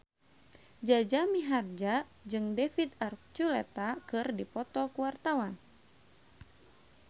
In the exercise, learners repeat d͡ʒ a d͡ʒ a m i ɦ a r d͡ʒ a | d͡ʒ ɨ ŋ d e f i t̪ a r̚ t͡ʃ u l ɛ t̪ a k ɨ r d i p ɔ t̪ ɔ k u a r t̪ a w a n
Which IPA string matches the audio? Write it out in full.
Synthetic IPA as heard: d͡ʒ a d͡ʒ a m i ɦ a r d͡ʒ a | d͡ʒ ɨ ŋ d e f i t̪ a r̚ t͡ʃ u l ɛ t̪ a k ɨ r d i p ɔ t̪ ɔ k u a r t̪ a w a n